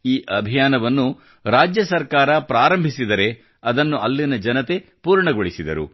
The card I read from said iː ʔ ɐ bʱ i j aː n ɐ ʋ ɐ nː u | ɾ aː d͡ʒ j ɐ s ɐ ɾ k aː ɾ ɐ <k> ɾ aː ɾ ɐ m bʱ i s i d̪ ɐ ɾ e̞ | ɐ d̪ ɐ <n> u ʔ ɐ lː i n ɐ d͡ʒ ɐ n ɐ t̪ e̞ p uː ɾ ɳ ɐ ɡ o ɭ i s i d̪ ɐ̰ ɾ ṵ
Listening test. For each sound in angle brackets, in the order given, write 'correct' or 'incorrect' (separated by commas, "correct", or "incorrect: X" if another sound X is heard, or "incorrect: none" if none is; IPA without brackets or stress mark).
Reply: incorrect: p, incorrect: nː